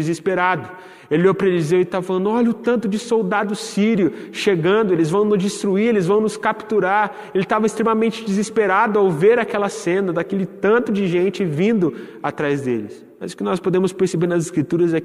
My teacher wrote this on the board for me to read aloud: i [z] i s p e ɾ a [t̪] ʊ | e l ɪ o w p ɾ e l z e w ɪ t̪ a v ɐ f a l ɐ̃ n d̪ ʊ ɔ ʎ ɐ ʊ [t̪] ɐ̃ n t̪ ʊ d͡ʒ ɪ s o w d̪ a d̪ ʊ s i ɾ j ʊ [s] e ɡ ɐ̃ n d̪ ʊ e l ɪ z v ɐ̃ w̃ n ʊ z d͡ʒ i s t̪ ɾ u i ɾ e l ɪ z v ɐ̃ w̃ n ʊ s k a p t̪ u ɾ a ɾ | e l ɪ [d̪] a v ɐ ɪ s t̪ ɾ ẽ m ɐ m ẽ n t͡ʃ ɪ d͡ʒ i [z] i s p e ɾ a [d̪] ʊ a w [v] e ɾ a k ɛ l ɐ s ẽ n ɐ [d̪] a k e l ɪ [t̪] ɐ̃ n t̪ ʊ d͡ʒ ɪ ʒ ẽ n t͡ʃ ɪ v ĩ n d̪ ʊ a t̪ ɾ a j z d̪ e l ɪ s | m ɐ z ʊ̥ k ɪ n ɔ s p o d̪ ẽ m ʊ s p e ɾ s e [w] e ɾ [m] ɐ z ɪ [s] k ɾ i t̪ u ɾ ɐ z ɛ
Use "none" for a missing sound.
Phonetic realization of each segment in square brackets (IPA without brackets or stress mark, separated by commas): z, d̪, t̪, ʃ, t̪, z, d̪, v, d̪, t̪, b, n, s